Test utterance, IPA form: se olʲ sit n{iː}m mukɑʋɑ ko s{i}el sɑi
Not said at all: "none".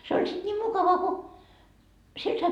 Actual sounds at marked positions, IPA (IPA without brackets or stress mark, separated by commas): iː, i